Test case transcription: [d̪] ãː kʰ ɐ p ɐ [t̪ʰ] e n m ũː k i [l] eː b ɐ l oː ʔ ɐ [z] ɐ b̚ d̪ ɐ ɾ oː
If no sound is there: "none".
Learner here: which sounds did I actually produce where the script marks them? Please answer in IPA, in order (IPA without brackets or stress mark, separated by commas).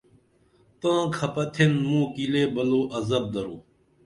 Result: t̪, t̪ʰ, l, z